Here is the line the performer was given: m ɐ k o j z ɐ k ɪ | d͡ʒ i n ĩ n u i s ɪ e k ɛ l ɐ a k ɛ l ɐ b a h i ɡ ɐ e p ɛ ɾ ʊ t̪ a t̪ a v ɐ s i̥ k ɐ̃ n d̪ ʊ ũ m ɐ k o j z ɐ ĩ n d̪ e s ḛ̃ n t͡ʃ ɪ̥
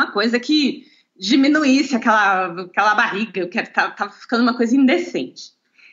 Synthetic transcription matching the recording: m ɐ k o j z ɐ k ɪ | d͡ʒ i m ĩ n u i s ɪ a k ɛ l ɐ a k ɛ l ɐ b a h i ɡ ɐ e k ɛ ɾ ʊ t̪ a t̪ a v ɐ f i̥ k ɐ̃ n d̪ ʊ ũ m ɐ k o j z ɐ ĩ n d̪ e s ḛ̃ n t͡ʃ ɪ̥